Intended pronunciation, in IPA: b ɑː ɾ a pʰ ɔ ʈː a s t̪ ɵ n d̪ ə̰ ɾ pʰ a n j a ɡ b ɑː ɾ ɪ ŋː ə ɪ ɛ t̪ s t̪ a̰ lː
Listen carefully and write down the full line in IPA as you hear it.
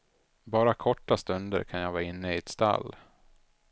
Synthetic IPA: b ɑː ɾ a kʰ ɔ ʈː a s t̪ ɵ n d̪ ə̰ ɾ kʰ a n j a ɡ v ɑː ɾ ɪ nː ə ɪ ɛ t̪ s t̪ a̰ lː